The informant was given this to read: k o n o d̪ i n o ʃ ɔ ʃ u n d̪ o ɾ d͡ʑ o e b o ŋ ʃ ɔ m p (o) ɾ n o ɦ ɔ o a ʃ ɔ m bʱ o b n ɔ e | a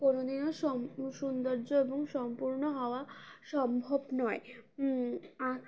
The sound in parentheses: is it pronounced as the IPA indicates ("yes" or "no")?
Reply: no